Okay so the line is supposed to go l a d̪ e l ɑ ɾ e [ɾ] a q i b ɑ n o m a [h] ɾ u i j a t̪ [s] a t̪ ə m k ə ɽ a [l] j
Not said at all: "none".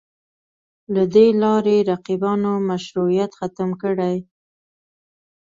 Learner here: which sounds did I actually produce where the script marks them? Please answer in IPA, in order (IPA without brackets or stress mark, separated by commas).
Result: ɾ, ʃ, x, none